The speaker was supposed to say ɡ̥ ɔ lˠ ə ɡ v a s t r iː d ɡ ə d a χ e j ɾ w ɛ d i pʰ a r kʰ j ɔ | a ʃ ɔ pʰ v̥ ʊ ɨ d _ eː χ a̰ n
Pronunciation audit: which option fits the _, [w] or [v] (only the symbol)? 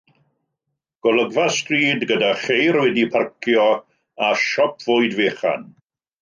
v